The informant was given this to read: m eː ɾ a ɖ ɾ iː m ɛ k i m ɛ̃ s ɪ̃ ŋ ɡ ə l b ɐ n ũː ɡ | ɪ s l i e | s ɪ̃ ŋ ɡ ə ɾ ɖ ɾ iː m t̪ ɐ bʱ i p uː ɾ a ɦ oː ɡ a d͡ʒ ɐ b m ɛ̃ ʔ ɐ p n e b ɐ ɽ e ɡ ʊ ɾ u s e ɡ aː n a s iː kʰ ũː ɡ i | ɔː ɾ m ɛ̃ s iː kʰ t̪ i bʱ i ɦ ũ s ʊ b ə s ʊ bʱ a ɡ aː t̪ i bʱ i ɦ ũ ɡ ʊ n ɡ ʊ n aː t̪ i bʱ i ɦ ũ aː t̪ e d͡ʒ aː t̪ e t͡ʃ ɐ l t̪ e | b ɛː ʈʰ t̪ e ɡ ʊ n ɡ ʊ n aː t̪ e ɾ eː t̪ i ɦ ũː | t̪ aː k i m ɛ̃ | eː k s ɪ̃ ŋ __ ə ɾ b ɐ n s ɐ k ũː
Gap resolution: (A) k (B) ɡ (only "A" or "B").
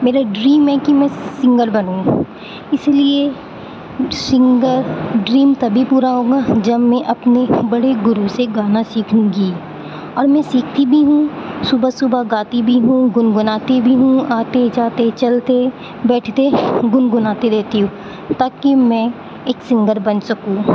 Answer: B